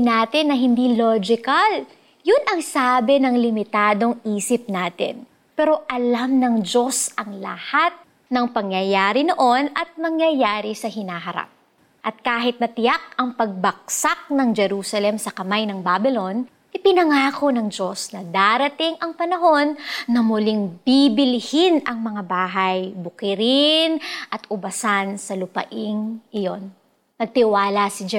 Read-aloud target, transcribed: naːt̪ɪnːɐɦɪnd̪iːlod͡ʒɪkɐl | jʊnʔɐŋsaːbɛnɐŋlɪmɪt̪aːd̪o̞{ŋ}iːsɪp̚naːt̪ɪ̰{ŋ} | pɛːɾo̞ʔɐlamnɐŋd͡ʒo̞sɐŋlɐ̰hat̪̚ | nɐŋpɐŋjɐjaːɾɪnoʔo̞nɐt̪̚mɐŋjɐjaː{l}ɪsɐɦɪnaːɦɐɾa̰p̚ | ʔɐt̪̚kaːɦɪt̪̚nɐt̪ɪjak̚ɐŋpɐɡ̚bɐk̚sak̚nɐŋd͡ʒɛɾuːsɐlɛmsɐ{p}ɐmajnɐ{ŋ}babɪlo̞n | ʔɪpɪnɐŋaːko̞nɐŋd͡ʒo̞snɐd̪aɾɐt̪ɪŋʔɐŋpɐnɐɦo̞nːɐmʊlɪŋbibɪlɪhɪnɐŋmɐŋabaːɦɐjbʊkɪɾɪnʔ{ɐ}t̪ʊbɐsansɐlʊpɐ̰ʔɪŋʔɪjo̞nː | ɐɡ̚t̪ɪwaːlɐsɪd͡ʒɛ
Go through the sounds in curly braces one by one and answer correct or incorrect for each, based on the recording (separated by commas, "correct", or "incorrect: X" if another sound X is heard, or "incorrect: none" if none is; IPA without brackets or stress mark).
correct, incorrect: n, incorrect: ɾ, incorrect: k, correct, correct